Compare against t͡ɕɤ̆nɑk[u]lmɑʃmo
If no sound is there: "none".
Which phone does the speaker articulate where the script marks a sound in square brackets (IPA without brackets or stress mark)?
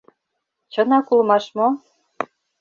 u